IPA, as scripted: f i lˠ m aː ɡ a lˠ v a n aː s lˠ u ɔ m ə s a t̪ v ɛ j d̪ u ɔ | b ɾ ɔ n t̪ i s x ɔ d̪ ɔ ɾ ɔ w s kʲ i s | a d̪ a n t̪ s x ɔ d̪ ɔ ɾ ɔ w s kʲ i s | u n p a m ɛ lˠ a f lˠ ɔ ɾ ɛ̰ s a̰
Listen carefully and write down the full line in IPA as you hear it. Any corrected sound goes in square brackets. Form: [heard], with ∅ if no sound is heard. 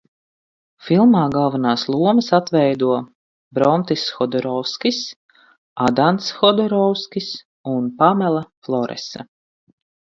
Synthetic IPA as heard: f i lˠ m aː ɡ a lˠ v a n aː s lˠ u ɔ m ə s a t̪ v ɛ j d̪ u ɔ | b ɾ ɔ n t̪ i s x ɔ d̪ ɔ ɾ ɔ w s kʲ i s | a d̪ a n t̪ s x ɔ d̪ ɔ ɾ ɔ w s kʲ i s | u n p a m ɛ lˠ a f lˠ ɔ ɾ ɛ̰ s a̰